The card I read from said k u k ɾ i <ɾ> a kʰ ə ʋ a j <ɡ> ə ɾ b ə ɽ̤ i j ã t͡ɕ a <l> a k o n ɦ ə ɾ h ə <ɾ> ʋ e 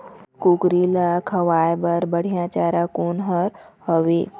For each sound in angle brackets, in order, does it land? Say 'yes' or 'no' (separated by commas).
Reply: no, no, no, no